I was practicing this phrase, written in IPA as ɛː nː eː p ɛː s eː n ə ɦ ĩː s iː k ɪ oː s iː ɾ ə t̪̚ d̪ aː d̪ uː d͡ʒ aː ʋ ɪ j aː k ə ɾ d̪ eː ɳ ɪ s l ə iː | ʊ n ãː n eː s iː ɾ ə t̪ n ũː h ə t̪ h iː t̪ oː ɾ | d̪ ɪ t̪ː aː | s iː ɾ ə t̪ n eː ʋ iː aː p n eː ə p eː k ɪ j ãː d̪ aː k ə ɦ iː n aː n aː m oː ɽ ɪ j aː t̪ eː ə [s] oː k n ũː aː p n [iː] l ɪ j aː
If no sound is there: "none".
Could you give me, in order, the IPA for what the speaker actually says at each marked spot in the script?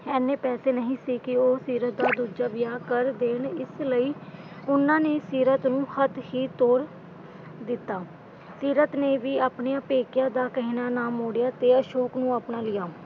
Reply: ʃ, aː

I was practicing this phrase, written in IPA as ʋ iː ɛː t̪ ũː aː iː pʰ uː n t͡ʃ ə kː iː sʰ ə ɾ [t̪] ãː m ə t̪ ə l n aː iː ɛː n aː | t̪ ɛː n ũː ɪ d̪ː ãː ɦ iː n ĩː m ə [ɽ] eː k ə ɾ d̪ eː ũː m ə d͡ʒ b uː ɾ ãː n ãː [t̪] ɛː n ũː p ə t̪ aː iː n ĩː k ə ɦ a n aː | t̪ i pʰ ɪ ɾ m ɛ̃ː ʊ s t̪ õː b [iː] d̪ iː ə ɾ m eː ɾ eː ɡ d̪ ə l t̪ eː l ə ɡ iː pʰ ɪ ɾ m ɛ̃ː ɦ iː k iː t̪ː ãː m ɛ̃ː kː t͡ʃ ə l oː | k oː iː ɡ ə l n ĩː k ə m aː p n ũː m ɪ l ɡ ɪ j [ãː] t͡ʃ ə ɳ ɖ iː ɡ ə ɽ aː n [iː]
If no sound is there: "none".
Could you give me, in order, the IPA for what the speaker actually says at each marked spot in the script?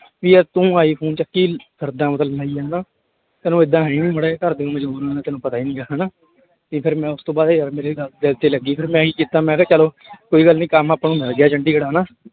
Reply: d̪, ɽ, t̪, aː, aː, aː

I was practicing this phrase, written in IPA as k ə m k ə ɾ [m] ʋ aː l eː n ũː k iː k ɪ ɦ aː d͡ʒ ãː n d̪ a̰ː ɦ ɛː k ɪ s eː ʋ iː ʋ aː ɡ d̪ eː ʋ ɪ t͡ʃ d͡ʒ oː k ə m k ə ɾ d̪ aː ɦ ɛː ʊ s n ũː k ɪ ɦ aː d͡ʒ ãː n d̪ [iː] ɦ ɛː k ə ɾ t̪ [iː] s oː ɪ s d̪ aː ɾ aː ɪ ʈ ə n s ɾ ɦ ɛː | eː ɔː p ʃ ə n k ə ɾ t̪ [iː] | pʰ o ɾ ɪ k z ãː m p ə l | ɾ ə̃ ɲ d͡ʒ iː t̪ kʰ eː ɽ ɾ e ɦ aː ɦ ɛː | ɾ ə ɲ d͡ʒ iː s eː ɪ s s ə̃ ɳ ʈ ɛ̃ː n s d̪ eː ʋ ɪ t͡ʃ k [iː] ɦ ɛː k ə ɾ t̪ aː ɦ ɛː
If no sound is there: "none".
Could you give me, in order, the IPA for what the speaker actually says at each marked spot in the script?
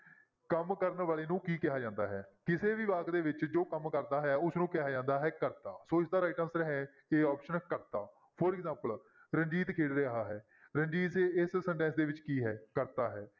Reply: n, aː, aː, aː, iː

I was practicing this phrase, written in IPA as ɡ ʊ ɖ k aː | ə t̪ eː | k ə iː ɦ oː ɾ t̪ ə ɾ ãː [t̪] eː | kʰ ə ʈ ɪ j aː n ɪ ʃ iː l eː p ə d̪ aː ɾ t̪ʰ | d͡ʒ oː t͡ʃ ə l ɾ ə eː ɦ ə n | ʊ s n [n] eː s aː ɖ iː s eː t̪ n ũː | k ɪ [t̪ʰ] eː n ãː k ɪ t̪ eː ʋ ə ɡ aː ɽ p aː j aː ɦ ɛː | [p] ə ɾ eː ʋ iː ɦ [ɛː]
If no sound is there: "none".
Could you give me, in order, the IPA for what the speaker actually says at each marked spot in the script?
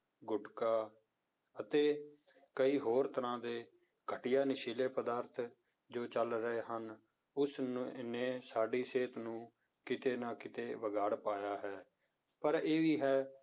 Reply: d̪, n, t̪, p, ɛː

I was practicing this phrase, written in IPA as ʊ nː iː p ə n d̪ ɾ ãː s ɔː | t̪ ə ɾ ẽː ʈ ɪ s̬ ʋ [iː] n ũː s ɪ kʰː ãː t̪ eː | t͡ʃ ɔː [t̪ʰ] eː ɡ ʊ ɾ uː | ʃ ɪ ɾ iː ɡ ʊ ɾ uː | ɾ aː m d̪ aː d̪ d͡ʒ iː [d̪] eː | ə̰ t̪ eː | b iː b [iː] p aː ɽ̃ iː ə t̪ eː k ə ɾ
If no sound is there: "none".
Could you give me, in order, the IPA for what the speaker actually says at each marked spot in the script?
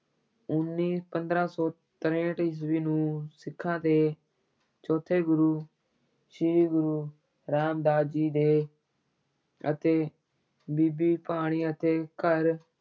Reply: iː, t̪ʰ, d̪, iː

